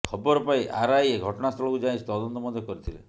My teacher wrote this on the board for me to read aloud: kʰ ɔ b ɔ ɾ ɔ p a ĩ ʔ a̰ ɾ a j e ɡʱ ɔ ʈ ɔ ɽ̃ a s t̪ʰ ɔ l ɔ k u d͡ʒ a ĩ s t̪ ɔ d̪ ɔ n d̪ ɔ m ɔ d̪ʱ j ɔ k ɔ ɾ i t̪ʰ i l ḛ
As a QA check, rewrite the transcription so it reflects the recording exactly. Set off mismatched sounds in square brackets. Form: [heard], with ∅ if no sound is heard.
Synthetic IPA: kʰ ɔ b ɔ ɾ ɔ p a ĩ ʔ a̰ ɾ a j e ɡʱ ɔ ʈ ɔ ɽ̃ a s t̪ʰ ɔ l ɔ k u d͡ʒ a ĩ s t̪ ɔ d̪ ɔ n [t̪] ɔ m ɔ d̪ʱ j ɔ k ɔ ɾ i t̪ʰ i l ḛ

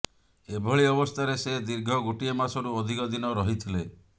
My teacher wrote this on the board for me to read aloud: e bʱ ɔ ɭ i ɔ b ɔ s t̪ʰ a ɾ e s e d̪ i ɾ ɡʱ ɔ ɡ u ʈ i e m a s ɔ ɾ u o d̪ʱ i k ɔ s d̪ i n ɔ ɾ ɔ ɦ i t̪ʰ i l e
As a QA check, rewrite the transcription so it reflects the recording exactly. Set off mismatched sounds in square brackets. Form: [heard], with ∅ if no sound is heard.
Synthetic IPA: e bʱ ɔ ɭ i ɔ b ɔ s t̪ʰ a ɾ e s e d̪ i ɾ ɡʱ ɔ ɡ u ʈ i e m a s ɔ ɾ u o d̪ʱ i k ɔ [∅] d̪ i n ɔ ɾ ɔ ɦ i t̪ʰ i l e

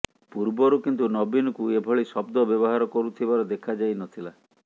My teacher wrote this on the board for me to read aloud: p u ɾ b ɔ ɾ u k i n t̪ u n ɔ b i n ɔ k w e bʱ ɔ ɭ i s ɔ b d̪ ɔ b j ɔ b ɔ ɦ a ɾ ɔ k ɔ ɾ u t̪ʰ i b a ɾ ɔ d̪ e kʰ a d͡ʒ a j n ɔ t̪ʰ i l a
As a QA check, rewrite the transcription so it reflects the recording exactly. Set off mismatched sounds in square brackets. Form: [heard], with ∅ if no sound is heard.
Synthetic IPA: p u ɾ b ɔ ɾ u k i n t̪ u n ɔ b i n ɔ k [u] e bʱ ɔ ɭ i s ɔ b d̪ ɔ b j ɔ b ɔ ɦ a ɾ ɔ k ɔ ɾ u t̪ʰ i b a ɾ ɔ d̪ e kʰ a d͡ʒ a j n ɔ t̪ʰ i l a

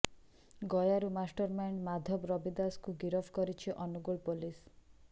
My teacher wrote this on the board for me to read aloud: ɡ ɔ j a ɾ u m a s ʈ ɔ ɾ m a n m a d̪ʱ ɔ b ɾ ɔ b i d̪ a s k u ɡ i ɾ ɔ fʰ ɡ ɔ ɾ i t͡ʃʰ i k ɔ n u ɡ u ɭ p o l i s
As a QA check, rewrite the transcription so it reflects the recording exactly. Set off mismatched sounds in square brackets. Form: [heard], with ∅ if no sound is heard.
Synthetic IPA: ɡ ɔ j a ɾ u m a s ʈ ɔ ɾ m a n m a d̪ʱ ɔ b ɾ ɔ b i d̪ a s k u ɡ i ɾ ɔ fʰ [k] ɔ ɾ i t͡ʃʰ i [ʔ] ɔ n u ɡ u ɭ p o l i s

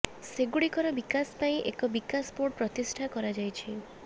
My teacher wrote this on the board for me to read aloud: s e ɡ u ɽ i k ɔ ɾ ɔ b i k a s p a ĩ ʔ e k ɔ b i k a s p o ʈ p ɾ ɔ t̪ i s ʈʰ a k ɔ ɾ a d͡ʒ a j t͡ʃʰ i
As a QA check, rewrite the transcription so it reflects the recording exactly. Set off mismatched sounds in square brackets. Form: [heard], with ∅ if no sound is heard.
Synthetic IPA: s e ɡ u ɽ i k ɔ ɾ ɔ b i k a s p a ĩ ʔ e k ɔ b i k a s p o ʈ p ɾ ɔ t̪ i s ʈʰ a k ɔ ɾ a d͡ʒ a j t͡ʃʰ i

